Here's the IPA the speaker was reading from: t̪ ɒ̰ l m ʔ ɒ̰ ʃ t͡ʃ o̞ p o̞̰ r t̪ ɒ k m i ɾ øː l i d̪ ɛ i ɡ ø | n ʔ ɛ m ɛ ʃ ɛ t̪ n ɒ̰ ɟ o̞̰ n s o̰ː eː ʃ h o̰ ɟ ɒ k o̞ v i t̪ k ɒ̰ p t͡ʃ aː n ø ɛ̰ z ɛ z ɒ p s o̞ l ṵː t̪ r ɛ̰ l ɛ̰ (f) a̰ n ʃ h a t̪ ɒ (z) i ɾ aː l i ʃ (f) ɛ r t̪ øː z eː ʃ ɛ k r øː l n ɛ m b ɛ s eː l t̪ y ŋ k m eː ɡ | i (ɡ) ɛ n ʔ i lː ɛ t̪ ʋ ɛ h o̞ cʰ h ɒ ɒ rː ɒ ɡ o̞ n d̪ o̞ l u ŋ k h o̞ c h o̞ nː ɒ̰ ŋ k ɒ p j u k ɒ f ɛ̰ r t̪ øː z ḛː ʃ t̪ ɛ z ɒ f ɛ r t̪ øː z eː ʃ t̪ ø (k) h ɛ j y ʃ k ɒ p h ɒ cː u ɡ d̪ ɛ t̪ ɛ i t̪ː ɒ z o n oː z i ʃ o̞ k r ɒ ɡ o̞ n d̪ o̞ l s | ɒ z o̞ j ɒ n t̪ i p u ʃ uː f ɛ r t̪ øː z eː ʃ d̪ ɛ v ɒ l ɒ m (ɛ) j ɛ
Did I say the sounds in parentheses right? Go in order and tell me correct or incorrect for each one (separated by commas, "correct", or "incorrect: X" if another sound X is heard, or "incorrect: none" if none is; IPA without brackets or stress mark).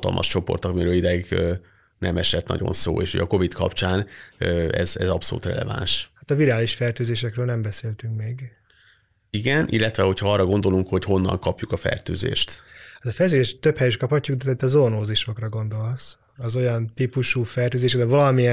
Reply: incorrect: v, incorrect: v, correct, correct, incorrect: p, incorrect: i